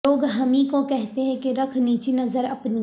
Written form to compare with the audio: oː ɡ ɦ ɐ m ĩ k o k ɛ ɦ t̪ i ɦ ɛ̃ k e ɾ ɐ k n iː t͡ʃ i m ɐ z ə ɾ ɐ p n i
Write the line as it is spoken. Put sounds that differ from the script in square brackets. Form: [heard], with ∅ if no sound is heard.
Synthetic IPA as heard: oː ɡ ɦ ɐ m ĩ k o k ɛ ɦ t̪ [e] ɦ ɛ̃ k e ɾ ɐ [kʰ] n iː t͡ʃ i [n] ɐ z ə ɾ ɐ p n i